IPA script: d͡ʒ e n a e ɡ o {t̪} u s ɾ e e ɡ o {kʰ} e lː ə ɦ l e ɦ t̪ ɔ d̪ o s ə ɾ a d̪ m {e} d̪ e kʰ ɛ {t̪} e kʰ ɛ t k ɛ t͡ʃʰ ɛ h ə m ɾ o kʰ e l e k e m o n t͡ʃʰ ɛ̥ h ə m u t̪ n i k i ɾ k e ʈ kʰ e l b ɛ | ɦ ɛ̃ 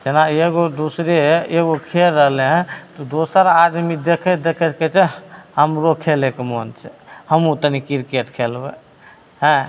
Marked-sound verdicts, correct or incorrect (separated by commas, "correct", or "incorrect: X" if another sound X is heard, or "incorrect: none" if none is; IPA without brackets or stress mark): incorrect: d̪, correct, incorrect: i, incorrect: d̪